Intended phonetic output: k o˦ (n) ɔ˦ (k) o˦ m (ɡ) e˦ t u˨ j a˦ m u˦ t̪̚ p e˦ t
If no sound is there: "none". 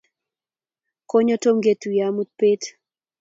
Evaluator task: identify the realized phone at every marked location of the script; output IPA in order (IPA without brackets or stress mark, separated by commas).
ɲ, t, ɡ